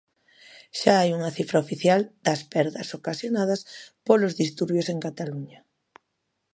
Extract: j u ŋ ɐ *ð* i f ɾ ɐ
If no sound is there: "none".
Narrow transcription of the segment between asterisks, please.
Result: θ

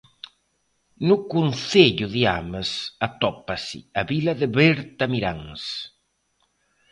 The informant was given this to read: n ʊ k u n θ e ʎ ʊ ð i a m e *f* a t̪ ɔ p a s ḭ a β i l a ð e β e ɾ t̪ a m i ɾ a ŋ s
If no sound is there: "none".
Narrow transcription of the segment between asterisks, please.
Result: s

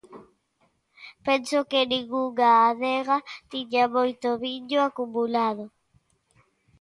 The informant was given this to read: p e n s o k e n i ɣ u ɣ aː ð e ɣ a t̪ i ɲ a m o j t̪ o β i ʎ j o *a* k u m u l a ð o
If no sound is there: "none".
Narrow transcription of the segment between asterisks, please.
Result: a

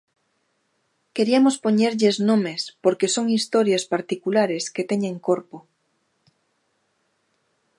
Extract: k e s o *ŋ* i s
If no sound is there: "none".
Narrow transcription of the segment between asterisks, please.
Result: ŋ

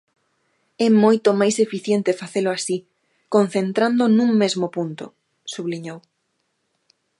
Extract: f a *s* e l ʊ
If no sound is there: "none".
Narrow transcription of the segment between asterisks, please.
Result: θ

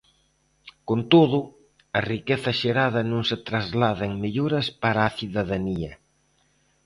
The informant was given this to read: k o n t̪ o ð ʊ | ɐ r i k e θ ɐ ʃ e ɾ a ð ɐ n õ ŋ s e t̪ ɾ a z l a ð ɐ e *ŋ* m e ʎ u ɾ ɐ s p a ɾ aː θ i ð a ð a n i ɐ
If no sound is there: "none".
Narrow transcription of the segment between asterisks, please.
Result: ŋ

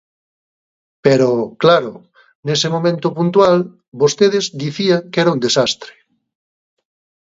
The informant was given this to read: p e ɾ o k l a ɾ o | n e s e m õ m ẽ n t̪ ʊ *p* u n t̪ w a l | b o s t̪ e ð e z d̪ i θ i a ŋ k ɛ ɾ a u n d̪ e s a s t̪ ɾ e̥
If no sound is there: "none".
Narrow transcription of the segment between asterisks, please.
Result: p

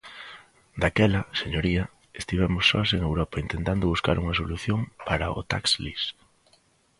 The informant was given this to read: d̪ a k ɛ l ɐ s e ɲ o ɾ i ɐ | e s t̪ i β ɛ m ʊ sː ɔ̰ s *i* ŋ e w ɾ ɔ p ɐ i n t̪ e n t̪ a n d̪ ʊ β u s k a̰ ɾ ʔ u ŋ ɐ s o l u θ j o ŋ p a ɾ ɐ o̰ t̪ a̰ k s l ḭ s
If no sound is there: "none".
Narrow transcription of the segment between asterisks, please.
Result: e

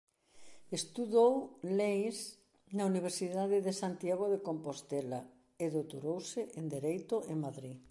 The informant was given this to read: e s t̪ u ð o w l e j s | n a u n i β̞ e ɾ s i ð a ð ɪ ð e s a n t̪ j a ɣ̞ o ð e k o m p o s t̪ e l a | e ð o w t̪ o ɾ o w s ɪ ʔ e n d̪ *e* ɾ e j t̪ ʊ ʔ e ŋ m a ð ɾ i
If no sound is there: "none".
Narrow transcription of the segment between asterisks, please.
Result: e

